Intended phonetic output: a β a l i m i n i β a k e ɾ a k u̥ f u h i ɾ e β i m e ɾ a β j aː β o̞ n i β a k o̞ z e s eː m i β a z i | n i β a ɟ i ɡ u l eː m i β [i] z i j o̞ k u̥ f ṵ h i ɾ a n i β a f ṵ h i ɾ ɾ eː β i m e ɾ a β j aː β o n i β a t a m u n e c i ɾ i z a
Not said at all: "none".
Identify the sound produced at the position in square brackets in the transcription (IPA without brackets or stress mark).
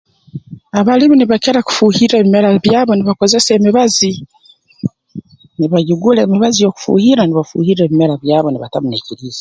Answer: a